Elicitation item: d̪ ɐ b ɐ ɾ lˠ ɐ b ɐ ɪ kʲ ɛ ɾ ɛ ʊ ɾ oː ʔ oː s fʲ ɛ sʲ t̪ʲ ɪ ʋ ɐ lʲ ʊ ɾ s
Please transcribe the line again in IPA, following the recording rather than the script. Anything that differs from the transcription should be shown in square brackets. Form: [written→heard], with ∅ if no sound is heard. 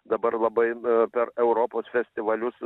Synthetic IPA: d̪ ɐ b ɐ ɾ lˠ ɐ b ɐ ɪ [kʲ→pʲ] ɛ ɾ ɛ ʊ ɾ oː [ʔ→p] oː s fʲ ɛ sʲ t̪ʲ ɪ ʋ ɐ lʲ ʊ [ɾ→∅] s